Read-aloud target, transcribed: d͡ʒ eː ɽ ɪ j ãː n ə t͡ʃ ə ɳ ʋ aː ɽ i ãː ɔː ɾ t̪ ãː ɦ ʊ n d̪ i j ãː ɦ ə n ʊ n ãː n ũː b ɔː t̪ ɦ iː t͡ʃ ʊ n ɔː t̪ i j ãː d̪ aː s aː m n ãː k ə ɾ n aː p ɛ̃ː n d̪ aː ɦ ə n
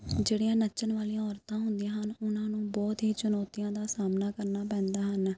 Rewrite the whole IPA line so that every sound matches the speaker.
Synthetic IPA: d͡ʒ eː ɽ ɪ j ãː n ə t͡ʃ ə n ʋ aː l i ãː ɔː ɾ t̪ ãː ɦ ʊ n d̪ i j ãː ɦ ə n ʊ n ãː n ũː b ɔː t̪ ɦ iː t͡ʃ ʊ n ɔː t̪ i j ãː d̪ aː s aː m n aː k ə ɾ n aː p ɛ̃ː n d̪ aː ɦ ə n